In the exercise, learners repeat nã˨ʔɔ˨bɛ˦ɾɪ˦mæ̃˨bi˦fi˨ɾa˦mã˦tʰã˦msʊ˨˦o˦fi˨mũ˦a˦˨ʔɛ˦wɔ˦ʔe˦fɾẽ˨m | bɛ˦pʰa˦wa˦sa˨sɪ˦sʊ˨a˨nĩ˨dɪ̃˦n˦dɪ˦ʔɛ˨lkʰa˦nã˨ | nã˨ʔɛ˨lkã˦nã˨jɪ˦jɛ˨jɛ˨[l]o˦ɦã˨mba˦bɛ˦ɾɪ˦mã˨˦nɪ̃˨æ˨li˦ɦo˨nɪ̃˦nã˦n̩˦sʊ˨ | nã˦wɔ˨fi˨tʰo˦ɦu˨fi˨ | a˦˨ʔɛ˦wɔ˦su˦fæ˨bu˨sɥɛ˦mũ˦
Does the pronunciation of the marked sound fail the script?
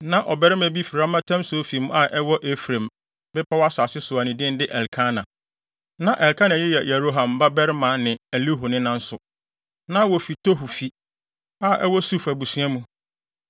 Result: yes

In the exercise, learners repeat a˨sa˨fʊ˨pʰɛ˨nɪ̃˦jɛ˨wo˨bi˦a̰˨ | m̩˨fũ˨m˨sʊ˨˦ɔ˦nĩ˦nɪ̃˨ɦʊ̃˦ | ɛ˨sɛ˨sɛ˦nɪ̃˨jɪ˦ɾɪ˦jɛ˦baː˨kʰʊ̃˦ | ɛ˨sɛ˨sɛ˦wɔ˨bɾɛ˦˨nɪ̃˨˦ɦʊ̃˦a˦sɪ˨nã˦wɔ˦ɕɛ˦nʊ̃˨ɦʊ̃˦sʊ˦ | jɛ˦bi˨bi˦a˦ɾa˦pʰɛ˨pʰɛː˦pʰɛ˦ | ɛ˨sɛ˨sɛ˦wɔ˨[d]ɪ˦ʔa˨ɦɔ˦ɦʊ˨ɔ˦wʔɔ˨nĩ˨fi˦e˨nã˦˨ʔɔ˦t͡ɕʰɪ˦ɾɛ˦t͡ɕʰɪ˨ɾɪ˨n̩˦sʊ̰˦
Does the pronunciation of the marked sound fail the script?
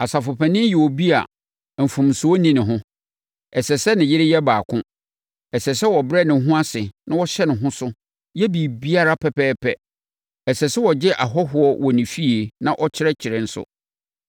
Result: yes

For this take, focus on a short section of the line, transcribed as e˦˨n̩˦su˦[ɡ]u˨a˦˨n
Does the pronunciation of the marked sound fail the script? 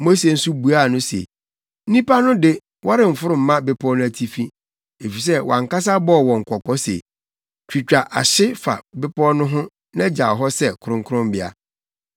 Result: yes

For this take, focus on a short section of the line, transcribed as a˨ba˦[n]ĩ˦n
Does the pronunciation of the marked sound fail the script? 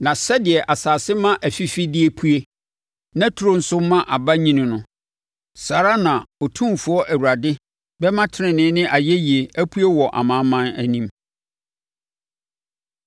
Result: yes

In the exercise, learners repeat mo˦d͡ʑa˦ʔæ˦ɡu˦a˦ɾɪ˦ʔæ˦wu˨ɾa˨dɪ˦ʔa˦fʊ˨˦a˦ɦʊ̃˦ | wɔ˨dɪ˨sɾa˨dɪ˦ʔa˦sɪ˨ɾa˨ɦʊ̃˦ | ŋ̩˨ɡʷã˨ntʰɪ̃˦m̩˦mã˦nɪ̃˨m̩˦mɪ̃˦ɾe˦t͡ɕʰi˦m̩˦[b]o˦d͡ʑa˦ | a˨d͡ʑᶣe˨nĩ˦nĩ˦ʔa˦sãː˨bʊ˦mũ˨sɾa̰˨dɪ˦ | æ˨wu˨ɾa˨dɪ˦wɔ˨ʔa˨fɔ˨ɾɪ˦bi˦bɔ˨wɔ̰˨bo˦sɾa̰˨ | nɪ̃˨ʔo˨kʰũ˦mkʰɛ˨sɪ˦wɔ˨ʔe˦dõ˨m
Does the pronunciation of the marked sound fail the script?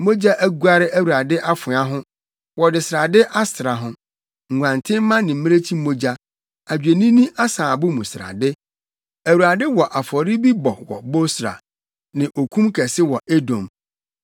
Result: yes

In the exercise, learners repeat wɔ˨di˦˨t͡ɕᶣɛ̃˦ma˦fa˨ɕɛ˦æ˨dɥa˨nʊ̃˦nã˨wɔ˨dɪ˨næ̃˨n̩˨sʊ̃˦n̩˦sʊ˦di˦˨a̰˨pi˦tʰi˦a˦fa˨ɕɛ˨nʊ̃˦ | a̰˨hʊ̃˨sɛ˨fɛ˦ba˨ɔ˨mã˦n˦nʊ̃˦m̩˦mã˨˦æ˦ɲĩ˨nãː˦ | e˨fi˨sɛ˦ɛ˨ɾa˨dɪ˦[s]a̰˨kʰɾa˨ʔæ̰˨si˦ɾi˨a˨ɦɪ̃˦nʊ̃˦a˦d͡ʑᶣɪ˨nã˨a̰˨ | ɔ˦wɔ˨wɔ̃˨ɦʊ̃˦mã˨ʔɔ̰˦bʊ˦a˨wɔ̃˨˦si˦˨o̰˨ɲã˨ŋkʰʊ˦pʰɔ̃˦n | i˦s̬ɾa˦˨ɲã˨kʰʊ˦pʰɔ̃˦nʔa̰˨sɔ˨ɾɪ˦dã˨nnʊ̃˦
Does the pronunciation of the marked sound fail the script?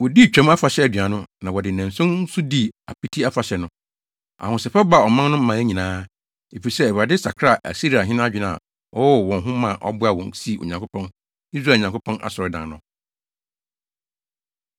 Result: no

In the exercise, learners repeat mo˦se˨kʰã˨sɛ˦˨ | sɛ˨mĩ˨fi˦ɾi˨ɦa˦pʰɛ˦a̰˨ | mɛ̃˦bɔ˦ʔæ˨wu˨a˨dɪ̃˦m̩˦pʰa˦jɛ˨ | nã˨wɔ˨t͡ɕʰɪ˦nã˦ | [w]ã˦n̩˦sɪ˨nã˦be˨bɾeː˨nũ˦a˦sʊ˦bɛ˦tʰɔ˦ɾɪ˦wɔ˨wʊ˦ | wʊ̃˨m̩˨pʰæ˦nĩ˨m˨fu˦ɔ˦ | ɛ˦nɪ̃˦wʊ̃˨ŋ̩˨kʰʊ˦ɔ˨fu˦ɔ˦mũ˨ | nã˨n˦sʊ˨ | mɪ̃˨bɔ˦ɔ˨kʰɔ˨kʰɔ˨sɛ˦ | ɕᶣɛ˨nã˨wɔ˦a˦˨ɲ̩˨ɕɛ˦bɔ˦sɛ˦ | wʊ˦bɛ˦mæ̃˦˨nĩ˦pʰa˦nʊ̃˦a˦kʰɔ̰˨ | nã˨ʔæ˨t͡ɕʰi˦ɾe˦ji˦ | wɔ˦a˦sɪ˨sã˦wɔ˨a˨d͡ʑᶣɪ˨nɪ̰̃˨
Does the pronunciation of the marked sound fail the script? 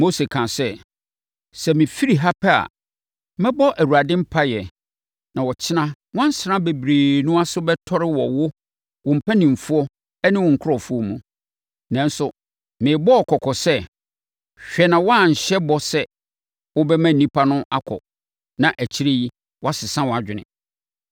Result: no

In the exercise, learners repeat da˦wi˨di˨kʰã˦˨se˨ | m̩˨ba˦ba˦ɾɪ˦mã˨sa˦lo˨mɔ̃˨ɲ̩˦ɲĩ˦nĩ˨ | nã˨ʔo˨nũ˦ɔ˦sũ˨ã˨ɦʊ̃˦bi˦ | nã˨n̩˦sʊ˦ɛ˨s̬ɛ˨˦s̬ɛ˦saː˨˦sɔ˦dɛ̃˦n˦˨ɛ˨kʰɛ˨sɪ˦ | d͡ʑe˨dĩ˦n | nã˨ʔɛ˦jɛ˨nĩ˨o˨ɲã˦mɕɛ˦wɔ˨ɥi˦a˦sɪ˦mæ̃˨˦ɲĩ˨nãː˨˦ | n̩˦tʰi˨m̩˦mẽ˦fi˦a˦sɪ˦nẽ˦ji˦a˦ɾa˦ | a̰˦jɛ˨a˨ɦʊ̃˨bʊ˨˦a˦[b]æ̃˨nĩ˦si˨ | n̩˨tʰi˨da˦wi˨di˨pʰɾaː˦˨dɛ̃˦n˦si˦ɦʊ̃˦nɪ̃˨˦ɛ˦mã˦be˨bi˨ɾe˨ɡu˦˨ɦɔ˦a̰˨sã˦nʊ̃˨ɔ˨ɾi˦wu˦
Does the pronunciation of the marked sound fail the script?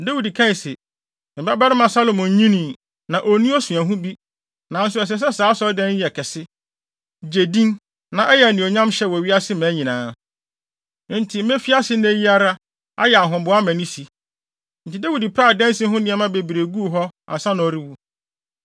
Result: yes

